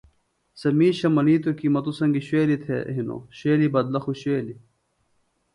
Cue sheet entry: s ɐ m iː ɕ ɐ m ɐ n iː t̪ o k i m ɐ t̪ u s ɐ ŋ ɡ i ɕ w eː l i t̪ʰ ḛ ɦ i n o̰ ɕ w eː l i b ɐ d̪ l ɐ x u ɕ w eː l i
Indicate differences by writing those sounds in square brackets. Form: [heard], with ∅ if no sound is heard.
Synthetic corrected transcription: s ɐ m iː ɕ ɐ m ɐ n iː t̪ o k i m ɐ t̪ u s ɐ ŋ ɡ i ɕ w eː l i t̪ʰ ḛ ɦ i n o̰ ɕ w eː l i b ɐ d̪ l ɐ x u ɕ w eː l i

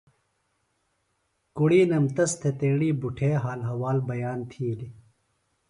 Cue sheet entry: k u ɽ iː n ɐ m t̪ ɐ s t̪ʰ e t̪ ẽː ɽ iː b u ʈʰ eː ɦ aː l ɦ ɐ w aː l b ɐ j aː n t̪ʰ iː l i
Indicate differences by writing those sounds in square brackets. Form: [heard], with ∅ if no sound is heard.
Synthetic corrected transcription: k u ɽ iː n ɐ m t̪ ɐ s t̪ʰ e t̪ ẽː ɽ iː b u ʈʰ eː ɦ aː l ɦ ɐ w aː l b ɐ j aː n t̪ʰ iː l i

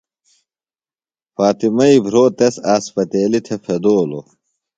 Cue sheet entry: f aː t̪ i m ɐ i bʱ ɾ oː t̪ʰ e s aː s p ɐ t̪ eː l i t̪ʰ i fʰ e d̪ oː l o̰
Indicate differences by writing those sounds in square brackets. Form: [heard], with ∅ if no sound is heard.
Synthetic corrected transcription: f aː t̪ i m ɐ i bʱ ɾ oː [t̪] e s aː s p ɐ t̪ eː l i t̪ʰ [e] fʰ e d̪ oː l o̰

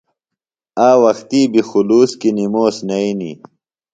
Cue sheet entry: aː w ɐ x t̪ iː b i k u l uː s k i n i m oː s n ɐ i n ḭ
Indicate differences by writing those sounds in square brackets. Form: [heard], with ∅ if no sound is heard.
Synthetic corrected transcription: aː w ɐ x t̪ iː b i [x] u l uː s k i n i m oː s n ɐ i n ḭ

